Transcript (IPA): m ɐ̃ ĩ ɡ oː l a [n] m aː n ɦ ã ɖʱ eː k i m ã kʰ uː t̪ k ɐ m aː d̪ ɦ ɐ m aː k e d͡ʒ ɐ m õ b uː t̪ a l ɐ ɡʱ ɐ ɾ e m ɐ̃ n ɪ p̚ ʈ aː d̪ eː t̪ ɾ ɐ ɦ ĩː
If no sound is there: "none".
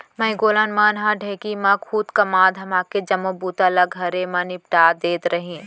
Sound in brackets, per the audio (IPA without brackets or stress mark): n